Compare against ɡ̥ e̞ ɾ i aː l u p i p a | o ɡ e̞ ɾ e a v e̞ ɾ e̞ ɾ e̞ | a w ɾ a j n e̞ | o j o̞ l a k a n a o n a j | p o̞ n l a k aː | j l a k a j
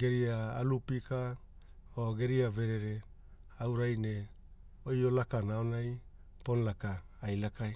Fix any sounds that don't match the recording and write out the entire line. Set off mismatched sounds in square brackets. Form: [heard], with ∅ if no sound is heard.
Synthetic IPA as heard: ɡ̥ e̞ ɾ i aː l u p i [k] a | o ɡ e̞ ɾ [i] a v e̞ ɾ e̞ ɾ e̞ | a w ɾ a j n e̞ | o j o̞ l a k a n a o n a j | p o̞ n l a k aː | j l a k a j